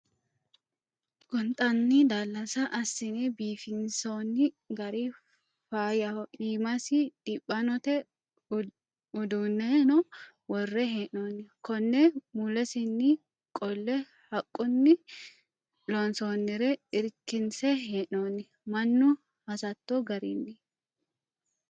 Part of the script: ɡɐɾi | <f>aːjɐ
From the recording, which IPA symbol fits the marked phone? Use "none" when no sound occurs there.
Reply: f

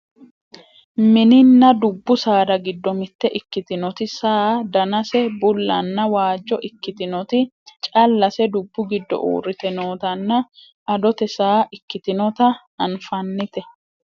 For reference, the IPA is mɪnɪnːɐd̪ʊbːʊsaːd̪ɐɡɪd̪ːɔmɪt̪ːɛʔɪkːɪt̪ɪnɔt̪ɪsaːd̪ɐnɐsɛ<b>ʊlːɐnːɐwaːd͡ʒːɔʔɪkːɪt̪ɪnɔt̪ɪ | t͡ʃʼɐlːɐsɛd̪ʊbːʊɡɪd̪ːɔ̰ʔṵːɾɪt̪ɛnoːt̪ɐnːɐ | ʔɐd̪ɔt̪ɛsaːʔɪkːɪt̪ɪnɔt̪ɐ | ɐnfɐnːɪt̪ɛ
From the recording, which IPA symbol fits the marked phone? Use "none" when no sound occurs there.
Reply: b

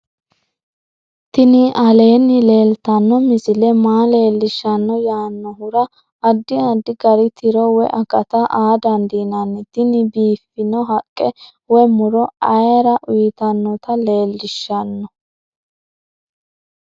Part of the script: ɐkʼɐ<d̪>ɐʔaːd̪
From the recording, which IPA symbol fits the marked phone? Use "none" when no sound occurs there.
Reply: t̪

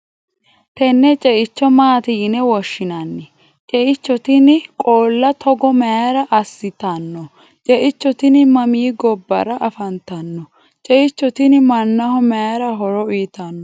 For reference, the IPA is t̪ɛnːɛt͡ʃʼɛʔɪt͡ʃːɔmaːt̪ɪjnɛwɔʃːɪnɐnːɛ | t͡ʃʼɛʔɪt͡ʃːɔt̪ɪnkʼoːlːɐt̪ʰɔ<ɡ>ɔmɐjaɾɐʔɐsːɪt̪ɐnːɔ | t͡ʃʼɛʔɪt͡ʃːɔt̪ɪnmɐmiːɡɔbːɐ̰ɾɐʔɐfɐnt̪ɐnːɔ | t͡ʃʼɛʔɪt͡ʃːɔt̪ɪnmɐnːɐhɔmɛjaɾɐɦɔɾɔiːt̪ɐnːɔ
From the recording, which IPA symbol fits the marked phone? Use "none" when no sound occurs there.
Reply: ɡ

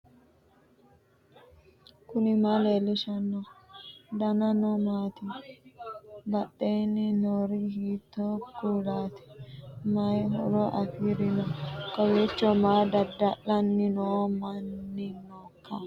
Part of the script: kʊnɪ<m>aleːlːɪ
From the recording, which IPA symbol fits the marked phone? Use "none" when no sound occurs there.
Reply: m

